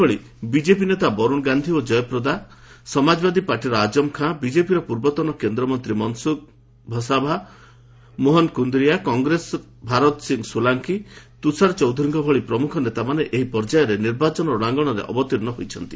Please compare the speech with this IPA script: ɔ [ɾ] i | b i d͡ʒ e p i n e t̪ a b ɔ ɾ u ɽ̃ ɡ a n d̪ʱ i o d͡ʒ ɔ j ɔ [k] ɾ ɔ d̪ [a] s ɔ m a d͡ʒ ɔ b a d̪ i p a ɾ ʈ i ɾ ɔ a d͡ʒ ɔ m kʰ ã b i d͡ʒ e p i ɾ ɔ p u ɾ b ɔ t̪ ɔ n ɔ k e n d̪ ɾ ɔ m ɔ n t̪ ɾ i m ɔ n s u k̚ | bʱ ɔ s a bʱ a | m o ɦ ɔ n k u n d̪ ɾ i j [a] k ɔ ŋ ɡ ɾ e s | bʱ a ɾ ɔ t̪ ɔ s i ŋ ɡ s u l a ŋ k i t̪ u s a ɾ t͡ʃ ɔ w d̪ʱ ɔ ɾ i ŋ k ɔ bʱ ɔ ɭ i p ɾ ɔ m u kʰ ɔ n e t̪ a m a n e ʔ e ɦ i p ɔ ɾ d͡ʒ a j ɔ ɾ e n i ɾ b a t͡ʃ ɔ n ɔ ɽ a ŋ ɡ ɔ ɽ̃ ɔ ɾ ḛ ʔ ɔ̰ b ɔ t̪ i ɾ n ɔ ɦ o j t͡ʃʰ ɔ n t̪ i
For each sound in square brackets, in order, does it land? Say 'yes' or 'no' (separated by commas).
no, no, yes, yes